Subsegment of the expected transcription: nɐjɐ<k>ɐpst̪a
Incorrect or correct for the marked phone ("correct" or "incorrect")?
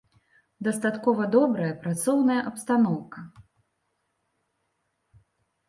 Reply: incorrect